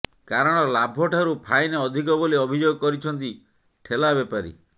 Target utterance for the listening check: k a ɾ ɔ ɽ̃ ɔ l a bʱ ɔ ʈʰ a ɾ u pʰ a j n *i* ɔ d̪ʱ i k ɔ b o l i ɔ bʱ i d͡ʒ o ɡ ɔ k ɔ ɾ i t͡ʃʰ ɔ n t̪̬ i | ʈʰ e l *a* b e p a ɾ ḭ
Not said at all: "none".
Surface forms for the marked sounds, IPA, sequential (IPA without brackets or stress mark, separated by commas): e, a